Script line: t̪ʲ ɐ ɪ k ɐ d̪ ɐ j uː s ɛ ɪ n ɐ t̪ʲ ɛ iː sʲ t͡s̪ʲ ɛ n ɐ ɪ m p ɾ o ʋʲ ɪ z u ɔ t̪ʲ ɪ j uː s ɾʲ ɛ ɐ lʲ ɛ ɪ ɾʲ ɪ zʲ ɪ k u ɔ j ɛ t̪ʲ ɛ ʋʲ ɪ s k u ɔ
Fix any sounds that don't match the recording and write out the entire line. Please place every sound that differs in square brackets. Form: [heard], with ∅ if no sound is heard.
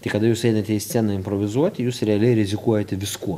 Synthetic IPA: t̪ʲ ɐ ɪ k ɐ d̪ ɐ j uː s ɛ ɪ n ɐ t̪ʲ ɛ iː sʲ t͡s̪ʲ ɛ n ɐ ɪ m p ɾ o ʋʲ ɪ z u ɔ t̪ʲ ɪ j uː s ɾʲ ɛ ɐ lʲ ɛ ɪ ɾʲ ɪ zʲ ɪ k u ɔ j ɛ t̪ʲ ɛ ʋʲ ɪ s k u ɔ